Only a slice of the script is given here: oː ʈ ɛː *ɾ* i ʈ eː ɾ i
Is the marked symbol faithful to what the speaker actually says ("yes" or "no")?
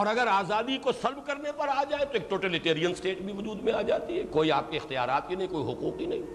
no